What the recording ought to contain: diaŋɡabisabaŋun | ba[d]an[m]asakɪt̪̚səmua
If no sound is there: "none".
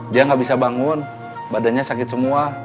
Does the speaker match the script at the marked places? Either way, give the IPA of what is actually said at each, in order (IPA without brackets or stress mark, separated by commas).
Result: d, ɲ